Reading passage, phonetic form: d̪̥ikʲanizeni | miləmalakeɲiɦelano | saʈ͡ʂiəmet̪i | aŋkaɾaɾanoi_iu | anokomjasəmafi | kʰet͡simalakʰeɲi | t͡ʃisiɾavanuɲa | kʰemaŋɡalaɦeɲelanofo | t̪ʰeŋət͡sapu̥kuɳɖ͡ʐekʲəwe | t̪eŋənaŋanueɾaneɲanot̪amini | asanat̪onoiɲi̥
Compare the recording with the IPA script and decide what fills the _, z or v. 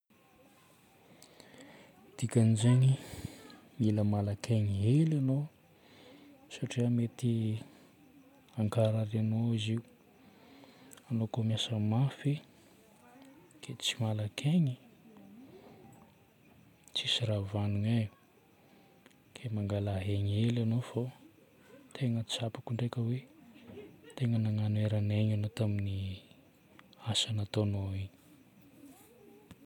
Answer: z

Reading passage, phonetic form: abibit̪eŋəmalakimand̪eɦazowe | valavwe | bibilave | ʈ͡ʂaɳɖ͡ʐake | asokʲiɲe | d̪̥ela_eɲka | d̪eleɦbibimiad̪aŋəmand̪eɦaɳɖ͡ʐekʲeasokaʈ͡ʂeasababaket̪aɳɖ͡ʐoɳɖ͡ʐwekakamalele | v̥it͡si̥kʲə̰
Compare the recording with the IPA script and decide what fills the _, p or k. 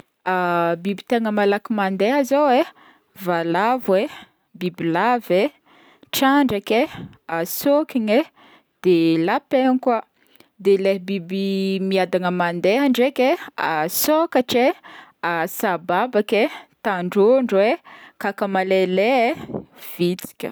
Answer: p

